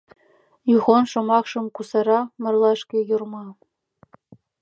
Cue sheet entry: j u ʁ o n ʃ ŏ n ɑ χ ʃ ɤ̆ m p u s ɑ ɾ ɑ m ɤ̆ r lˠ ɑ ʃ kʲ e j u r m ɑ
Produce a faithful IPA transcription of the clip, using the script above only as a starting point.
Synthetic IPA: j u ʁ o n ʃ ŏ m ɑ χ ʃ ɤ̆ m k u s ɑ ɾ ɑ m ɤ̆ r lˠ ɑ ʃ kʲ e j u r m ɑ